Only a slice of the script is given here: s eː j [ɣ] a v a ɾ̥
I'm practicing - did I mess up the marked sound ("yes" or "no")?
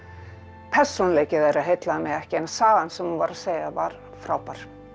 no